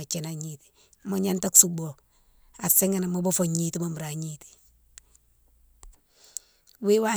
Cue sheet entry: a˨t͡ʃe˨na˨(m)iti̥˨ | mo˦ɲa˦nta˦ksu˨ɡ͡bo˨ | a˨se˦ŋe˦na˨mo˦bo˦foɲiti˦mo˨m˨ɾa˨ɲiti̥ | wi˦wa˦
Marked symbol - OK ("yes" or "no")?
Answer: no